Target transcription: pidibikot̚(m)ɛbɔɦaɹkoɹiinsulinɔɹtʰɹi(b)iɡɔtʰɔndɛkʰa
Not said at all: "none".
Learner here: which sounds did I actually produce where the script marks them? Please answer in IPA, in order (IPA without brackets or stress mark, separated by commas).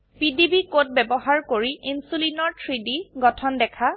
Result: b, d